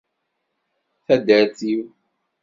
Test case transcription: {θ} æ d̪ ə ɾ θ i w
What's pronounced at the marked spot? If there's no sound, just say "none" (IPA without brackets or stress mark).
θ